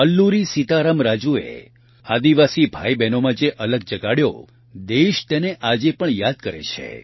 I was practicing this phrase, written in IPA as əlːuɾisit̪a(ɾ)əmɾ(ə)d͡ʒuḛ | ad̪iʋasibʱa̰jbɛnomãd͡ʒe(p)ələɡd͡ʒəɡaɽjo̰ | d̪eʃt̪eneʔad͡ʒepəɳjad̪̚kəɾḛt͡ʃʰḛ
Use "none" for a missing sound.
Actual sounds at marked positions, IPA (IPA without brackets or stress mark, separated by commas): ɾ, a, ʔ